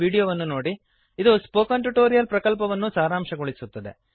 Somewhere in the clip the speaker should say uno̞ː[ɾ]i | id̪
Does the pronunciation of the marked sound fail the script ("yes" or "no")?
yes